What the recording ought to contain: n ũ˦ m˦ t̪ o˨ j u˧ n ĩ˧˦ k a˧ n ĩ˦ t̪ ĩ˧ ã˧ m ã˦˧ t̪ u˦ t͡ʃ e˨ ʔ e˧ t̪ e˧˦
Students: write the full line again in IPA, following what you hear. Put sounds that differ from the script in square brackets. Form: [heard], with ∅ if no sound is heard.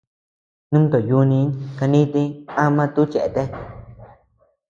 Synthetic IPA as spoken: n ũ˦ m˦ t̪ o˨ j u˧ n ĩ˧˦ k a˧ n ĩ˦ t̪ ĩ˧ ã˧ m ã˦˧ t̪ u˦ t͡ʃ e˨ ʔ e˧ t̪ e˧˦